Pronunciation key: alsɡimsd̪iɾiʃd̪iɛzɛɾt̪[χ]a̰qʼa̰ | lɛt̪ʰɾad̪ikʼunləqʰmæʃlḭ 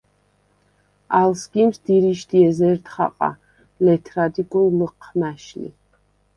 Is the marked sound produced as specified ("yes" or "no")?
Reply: yes